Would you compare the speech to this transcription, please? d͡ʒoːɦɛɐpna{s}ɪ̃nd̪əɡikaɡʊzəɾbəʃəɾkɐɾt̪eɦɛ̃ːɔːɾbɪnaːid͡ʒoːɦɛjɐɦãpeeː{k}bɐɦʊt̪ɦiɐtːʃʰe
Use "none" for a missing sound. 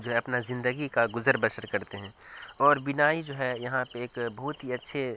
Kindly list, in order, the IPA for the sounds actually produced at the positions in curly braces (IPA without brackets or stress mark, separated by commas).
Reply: z, k